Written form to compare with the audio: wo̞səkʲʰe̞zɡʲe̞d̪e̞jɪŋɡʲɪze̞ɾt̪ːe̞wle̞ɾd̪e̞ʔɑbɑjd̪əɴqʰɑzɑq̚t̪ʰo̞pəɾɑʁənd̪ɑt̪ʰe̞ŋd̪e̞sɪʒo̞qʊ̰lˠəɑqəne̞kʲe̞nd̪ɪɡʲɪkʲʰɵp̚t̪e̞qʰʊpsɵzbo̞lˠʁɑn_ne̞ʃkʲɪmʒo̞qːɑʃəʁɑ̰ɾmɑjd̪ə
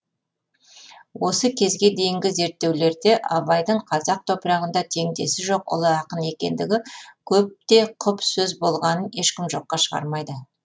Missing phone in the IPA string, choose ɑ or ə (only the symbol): ə